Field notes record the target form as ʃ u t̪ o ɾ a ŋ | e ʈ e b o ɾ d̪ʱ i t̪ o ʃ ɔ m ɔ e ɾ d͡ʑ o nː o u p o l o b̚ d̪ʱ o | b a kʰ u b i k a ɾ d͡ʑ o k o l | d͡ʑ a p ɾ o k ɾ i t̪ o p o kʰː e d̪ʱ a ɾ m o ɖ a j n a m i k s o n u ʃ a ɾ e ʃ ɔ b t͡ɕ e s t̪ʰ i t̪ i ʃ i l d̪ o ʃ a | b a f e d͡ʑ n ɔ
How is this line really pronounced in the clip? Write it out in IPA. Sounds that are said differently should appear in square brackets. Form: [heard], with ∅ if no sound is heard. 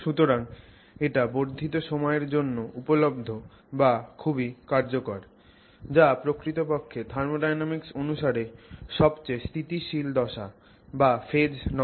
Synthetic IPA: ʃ u t̪ o ɾ a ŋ | e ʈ [a] b o ɾ d̪ʱ i t̪ o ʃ ɔ m ɔ e ɾ d͡ʑ o nː o u p o l o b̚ d̪ʱ o | b a kʰ u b i k a ɾ d͡ʑ o k o [ɾ] | d͡ʑ a p ɾ o k ɾ i t̪ o p o kʰː e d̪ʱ a ɾ m o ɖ a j n a m i k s o n u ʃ a ɾ e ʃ ɔ b t͡ɕ e s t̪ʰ i t̪ i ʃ i l d̪ [ɔ] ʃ a | b a f e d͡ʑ n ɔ